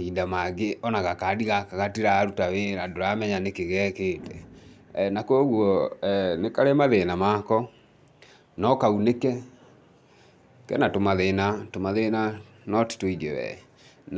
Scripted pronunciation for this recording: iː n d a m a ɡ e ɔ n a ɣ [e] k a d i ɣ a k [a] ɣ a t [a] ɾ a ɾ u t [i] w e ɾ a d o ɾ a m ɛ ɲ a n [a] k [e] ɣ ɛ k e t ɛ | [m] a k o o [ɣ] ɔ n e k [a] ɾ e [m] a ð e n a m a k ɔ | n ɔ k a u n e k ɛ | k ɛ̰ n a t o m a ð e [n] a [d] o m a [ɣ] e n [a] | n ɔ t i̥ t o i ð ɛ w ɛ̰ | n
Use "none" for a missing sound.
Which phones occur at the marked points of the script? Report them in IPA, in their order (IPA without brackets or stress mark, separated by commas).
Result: a, a, i, a, e, e, n, ɣ, a, m, n, t, ð, a